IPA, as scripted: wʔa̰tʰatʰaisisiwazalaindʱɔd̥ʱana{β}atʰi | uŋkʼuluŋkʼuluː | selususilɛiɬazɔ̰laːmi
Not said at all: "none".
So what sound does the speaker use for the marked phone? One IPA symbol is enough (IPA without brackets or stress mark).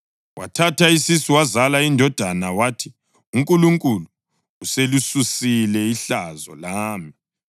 w